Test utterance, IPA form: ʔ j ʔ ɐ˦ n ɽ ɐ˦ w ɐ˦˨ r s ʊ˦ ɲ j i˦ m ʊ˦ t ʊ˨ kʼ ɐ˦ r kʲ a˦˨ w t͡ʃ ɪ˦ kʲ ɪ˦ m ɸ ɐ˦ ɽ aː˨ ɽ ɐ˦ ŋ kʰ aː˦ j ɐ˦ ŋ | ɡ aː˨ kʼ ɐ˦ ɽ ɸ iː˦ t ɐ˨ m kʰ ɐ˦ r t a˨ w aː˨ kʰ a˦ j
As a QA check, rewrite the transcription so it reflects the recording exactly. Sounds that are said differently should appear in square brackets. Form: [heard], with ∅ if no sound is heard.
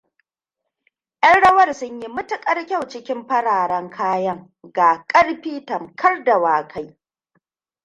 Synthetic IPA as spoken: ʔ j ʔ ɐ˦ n ɽ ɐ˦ w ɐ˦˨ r s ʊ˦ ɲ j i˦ m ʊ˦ t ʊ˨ kʼ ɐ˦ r kʲ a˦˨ w t͡ʃ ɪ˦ kʲ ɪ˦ m ɸ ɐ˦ ɽ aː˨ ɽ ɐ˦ ŋ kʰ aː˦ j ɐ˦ ŋ | ɡ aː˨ kʼ ɐ˦ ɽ ɸ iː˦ t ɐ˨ m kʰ ɐ˦ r [d] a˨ w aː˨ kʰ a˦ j